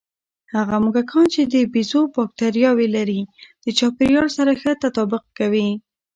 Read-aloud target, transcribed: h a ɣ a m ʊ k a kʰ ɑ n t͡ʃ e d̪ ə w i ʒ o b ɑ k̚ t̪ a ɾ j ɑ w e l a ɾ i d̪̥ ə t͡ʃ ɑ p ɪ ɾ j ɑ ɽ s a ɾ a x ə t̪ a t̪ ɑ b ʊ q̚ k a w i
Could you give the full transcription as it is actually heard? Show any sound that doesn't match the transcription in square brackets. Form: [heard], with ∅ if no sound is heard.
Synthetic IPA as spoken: h a ɣ a m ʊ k a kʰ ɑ n t͡ʃ e d̪ ə [b] i [z] o b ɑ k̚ t̪ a ɾ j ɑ w e l a ɾ i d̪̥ ə t͡ʃ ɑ p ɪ ɾ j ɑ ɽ s a ɾ a x ə t̪ a t̪ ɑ b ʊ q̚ k a w i